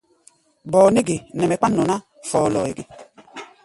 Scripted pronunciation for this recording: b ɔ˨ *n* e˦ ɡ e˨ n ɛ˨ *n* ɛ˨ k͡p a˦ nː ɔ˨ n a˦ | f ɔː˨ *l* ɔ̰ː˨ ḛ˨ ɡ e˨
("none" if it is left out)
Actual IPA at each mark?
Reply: n, m, l

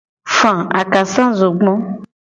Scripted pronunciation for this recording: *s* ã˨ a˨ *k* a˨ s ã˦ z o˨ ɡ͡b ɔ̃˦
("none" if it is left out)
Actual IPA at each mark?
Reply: f, k

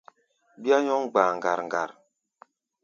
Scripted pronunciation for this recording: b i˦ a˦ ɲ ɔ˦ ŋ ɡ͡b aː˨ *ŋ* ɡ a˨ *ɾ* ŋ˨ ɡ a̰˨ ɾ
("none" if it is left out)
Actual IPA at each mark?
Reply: ŋ, ɾ

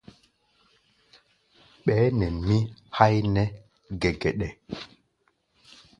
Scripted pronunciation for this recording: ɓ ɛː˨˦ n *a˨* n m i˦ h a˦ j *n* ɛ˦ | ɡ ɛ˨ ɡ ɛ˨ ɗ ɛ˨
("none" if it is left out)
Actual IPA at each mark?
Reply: ɛ˨, n

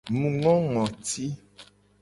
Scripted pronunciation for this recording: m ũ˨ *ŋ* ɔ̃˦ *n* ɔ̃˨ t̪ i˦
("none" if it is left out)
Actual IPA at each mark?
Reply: ŋ, ŋ

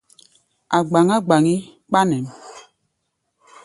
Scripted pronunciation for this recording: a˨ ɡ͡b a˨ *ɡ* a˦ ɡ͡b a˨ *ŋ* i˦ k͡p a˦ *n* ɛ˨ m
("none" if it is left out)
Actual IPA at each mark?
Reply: ŋ, ŋ, n

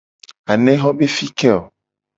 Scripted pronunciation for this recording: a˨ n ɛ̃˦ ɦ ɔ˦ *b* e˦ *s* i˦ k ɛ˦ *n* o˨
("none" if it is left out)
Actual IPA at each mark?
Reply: b, f, none

